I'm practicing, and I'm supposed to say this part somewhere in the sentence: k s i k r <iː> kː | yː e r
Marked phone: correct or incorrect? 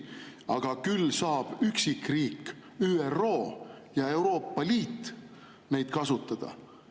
correct